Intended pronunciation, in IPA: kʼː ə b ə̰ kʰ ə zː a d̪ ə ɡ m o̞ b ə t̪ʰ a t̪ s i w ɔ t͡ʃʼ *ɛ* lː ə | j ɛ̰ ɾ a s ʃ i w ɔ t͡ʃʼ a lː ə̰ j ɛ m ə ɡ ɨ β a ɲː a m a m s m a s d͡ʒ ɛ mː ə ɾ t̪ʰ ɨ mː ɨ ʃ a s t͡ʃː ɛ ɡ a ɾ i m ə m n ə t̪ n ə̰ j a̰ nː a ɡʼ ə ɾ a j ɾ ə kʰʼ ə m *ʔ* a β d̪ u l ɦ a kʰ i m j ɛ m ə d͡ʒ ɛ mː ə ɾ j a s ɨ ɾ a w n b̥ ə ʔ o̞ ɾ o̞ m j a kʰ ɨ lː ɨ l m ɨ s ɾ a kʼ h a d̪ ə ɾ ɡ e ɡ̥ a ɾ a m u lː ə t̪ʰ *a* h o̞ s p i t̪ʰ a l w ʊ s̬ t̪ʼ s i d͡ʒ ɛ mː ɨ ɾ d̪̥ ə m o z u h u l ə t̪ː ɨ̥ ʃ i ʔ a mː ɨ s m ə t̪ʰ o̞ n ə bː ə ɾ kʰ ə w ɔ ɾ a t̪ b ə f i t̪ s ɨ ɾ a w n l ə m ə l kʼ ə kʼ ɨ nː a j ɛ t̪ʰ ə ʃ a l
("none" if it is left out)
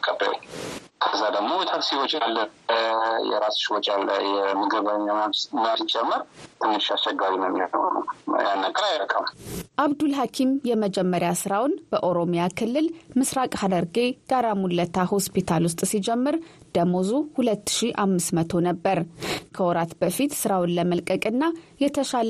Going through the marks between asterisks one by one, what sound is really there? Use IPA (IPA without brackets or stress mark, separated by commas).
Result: a, ʔ, a